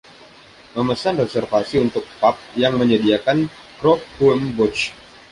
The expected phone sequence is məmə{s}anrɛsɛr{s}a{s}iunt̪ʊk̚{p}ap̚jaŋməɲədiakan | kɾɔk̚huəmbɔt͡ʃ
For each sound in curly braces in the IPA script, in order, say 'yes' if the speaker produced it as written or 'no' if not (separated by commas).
yes, no, yes, yes